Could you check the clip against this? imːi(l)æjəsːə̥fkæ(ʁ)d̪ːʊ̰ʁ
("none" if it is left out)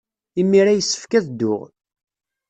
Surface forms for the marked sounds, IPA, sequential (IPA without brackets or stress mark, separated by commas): ɾ, ð